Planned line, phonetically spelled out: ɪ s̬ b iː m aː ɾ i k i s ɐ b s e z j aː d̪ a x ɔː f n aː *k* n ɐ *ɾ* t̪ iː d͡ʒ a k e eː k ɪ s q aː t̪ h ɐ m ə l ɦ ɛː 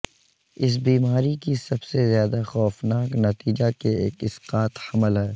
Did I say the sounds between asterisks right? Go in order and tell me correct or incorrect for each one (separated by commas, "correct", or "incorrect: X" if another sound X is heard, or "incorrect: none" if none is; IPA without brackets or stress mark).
correct, incorrect: none